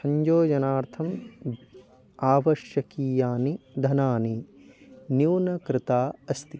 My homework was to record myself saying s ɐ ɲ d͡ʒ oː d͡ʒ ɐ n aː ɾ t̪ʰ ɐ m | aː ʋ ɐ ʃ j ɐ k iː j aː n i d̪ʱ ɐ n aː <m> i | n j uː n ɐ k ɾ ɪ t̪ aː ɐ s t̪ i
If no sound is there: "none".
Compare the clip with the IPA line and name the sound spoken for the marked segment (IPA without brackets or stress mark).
n